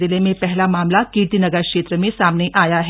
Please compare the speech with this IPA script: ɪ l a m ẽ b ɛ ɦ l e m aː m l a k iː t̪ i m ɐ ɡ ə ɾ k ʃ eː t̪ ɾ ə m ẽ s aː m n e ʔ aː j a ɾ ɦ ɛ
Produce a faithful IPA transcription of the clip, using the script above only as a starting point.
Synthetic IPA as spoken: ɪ l e m ẽ p ɛ ɦ l a m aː m l a k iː t̪ i n ɐ ɡ ə ɾ k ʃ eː t̪ ɾ ə m ẽ s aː m n e ʔ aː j a ɦ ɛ